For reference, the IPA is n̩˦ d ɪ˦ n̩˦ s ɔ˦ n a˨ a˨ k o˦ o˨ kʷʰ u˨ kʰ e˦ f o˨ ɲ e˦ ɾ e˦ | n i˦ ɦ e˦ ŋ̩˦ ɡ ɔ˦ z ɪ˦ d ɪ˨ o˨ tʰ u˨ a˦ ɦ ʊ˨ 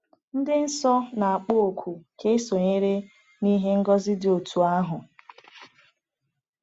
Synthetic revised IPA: n̩˦ d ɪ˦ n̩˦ s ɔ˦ n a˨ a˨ k͡p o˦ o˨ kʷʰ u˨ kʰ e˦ s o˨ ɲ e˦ ɾ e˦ | n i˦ ɦ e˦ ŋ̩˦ ɡ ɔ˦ z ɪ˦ d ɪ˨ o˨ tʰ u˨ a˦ ɦ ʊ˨